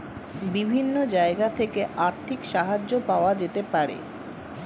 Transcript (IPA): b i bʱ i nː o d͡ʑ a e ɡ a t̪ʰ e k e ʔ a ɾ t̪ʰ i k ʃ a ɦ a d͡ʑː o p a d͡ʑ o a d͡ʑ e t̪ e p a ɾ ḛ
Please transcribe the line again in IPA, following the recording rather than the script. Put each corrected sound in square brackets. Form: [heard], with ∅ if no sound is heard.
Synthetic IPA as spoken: b i bʱ i nː o d͡ʑ a e ɡ a t̪ʰ e k e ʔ a ɾ t̪ʰ i k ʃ a ɦ a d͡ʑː o p a [∅] o a d͡ʑ e t̪ e p a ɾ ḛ